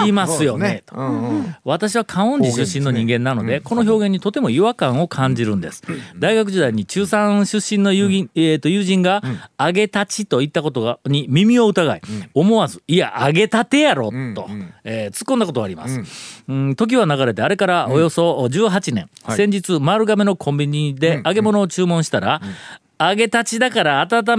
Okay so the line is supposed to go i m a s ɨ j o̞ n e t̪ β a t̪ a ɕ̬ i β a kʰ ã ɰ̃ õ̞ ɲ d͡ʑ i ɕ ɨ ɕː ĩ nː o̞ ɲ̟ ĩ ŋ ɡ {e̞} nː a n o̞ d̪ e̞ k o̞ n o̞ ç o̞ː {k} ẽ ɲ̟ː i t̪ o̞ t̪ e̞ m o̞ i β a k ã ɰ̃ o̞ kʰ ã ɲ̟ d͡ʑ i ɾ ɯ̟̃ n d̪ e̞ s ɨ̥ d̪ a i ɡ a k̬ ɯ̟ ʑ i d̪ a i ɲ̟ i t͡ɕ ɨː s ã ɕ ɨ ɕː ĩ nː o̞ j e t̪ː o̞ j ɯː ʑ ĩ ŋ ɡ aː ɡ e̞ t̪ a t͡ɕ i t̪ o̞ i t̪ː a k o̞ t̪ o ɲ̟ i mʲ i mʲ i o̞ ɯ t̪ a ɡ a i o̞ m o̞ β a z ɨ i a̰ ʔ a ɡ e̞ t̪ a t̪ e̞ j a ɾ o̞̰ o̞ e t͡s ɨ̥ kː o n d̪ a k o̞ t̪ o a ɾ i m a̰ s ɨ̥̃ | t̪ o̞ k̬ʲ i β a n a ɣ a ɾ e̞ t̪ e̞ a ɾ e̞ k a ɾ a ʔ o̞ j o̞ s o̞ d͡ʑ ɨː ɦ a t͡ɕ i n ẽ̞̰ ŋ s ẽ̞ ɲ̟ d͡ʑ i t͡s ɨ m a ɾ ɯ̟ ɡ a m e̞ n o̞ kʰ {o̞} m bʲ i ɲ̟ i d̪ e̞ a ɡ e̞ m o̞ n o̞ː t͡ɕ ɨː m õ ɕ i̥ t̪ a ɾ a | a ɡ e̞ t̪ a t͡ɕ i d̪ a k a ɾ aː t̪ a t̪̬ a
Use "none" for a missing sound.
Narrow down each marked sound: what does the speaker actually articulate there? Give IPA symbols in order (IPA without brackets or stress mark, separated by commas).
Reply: ẽ̞, ɡ, õ̞